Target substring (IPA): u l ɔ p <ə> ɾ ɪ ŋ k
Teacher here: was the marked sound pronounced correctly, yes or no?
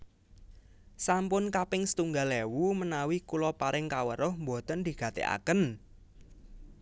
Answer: no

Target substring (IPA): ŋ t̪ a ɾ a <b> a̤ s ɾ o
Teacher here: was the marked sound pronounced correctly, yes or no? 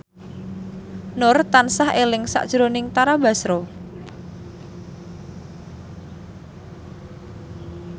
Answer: yes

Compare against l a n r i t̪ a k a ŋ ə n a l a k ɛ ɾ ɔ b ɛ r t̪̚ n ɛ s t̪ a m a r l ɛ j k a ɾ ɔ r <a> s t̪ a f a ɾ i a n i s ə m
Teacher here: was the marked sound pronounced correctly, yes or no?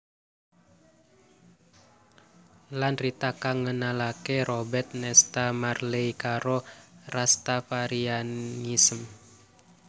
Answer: yes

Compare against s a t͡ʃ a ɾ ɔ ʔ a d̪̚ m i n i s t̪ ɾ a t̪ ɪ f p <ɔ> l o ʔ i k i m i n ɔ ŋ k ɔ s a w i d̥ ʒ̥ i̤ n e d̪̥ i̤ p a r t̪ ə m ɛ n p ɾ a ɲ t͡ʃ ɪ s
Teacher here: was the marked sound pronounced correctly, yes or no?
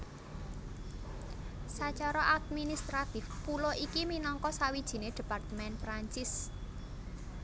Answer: no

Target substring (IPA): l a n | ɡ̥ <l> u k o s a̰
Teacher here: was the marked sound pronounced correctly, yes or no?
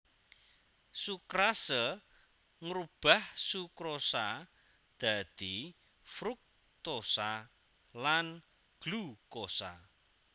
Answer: yes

